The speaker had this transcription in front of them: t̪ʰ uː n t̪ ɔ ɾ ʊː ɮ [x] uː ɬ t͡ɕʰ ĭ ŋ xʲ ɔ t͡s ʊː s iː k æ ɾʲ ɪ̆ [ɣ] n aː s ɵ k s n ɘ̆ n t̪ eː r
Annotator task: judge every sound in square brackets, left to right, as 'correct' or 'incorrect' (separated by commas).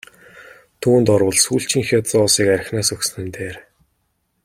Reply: incorrect, incorrect